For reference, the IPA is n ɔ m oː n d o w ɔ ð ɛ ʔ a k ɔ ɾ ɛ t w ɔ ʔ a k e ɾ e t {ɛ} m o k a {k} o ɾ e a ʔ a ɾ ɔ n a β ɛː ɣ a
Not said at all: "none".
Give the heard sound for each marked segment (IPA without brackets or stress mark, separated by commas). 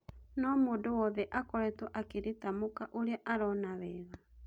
a, ʔ